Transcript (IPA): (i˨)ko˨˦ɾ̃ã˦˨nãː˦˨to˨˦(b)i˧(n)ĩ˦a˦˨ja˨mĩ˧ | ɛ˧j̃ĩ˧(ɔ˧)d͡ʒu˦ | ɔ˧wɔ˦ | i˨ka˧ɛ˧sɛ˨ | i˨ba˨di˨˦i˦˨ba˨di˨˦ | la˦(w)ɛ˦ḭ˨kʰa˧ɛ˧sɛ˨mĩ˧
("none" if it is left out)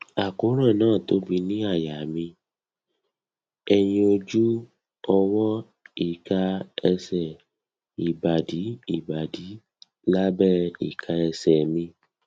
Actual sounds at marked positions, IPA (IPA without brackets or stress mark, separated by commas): a˨, b, n, o˧, b